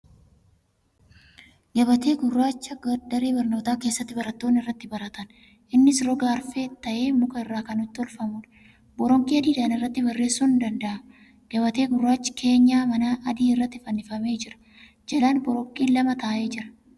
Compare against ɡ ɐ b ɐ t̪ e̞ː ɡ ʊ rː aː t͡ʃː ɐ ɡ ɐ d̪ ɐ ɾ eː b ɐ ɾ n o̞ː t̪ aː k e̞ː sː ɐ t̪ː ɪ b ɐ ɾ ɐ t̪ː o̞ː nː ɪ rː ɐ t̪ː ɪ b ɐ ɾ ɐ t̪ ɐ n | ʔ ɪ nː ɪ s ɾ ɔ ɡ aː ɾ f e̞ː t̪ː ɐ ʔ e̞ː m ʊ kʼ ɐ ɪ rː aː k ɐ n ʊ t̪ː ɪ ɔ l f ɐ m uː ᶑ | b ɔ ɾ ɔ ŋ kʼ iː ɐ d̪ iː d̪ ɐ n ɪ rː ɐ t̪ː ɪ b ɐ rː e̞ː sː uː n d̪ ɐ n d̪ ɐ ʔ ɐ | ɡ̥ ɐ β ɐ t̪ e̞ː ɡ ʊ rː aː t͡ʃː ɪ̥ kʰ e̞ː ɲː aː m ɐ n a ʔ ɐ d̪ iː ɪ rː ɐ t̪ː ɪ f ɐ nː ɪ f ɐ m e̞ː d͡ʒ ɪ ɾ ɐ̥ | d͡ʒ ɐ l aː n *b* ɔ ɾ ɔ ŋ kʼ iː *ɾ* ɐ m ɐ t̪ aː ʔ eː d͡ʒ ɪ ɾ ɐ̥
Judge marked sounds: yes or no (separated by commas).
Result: yes, no